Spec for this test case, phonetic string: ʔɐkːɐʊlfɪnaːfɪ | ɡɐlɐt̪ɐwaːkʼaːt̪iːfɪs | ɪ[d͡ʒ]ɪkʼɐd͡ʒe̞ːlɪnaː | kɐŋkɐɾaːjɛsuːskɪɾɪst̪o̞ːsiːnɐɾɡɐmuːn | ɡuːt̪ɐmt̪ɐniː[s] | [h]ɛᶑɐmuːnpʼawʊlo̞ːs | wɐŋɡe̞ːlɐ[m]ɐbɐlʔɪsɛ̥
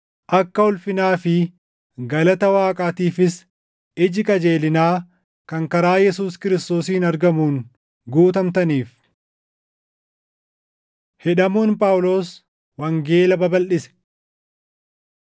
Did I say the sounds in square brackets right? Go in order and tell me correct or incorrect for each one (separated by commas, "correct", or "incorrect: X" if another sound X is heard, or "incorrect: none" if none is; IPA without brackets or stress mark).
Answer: correct, incorrect: f, correct, incorrect: b